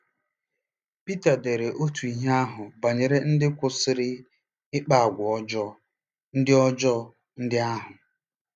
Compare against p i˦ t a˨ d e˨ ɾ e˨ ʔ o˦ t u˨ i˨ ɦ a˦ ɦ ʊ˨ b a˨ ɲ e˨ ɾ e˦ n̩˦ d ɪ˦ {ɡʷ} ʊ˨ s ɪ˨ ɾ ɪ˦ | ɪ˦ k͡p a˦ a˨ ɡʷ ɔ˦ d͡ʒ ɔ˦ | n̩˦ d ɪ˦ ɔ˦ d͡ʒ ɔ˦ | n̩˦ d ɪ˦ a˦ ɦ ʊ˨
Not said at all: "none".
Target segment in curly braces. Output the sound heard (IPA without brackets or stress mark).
kʷ